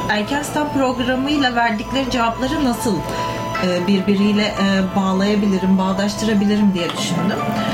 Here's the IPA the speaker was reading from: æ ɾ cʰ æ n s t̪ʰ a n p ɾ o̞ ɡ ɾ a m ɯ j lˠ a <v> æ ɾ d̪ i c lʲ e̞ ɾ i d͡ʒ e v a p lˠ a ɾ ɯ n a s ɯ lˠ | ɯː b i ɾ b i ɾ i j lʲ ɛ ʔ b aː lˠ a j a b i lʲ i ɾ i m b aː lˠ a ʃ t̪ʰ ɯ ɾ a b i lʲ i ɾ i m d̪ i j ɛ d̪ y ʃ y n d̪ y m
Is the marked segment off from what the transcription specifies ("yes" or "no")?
no